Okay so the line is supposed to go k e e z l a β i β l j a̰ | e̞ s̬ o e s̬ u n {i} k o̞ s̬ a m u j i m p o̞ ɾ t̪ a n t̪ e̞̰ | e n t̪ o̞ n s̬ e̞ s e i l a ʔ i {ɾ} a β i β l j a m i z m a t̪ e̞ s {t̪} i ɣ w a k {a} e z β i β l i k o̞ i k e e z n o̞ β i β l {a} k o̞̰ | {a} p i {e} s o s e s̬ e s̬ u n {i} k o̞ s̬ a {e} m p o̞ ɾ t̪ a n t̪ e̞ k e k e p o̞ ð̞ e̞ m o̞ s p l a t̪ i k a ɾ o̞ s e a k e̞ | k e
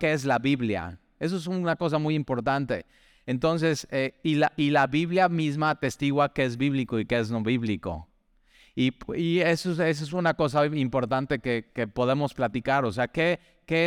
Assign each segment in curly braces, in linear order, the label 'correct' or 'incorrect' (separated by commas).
incorrect, incorrect, correct, incorrect, incorrect, incorrect, correct, incorrect, incorrect